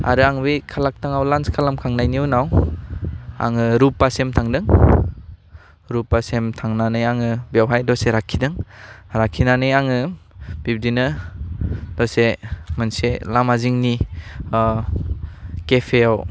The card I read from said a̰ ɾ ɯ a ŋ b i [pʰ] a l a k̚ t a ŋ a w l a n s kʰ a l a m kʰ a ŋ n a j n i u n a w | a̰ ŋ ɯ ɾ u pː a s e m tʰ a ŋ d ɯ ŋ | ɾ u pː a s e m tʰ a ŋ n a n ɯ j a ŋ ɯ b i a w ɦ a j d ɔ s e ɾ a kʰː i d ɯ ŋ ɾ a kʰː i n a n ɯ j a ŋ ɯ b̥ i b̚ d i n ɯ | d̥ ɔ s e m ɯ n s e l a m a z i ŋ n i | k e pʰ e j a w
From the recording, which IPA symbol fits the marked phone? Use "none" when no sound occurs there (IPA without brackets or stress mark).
kʰ